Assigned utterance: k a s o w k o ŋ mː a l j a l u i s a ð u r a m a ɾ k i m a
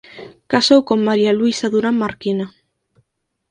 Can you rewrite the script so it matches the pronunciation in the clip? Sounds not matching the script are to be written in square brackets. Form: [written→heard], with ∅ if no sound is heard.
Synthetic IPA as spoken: k a s o w k o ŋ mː a [l→ɾ] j a l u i s a ð u [r→ɾ] a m a ɾ k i [m→n] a